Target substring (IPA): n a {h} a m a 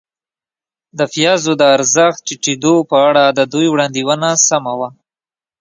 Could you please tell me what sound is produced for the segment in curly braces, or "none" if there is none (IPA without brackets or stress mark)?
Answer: s